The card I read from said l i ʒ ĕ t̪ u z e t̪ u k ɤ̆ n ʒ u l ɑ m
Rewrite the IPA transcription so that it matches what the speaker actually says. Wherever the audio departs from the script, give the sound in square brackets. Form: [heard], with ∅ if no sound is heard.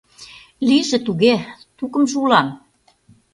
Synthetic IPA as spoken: l i ʒ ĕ t̪ u [ɣ] e t̪ u k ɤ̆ [m] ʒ u l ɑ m